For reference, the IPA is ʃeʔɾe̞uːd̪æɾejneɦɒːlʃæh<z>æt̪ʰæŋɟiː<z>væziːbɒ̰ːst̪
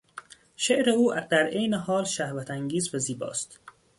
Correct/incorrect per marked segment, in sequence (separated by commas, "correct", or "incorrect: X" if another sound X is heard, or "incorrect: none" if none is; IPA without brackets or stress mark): incorrect: v, correct